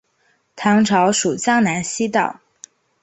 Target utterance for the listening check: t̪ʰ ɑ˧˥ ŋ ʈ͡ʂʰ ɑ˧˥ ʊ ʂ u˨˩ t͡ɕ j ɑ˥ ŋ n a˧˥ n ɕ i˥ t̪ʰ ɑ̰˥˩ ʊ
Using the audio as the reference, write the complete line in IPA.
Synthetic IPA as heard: t̪ʰ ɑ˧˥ ŋ ʈ͡ʂʰ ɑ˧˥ ʊ ʂ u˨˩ t͡ɕ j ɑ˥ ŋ n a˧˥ n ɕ i˥ t̪ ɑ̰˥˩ ʊ